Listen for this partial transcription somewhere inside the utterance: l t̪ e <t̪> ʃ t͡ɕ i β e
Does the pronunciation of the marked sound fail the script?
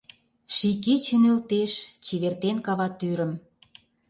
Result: yes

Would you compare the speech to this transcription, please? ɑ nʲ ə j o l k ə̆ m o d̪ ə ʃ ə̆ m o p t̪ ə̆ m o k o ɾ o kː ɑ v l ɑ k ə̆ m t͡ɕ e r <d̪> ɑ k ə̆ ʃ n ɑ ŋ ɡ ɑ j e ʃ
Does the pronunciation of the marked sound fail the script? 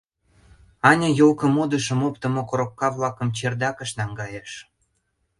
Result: no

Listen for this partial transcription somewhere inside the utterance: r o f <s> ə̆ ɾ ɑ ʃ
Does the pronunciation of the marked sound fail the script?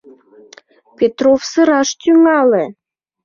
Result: no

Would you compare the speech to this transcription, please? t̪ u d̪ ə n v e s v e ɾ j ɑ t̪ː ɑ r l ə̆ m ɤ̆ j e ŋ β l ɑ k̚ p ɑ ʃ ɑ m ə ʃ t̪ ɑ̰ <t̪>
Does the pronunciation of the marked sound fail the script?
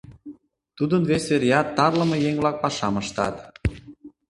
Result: no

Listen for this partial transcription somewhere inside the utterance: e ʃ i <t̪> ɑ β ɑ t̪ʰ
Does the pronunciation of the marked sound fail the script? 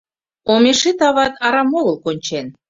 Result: no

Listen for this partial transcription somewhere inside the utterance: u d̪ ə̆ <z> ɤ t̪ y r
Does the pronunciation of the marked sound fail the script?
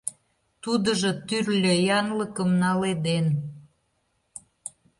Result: yes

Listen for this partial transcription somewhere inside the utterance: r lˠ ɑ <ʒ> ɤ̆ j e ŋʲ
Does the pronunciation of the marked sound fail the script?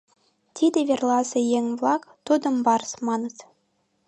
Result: yes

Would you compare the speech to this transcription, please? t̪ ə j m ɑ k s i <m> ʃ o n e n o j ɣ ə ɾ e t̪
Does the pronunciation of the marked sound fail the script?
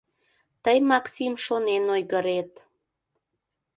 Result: no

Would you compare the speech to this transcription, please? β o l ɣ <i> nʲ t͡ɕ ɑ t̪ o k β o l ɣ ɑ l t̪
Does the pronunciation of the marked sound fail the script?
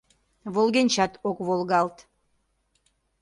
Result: yes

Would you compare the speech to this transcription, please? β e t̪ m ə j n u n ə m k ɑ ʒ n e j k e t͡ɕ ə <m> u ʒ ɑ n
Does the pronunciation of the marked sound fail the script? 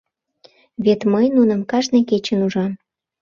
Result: yes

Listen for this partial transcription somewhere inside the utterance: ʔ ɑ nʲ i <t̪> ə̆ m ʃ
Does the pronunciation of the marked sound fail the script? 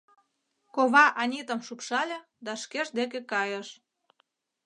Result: no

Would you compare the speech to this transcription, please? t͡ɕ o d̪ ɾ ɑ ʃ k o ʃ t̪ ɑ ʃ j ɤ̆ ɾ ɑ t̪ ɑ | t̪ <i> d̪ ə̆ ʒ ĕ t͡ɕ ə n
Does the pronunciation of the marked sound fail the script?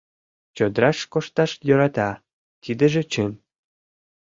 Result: no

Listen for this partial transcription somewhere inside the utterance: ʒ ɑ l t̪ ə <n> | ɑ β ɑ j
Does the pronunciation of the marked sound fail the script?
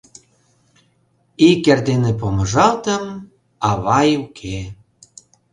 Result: yes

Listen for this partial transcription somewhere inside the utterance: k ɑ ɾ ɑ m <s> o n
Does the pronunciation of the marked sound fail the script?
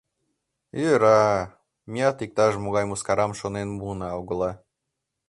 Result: yes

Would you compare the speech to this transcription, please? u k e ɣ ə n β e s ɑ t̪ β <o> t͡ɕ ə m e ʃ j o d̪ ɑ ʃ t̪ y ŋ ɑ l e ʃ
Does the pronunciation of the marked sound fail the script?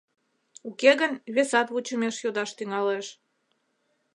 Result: yes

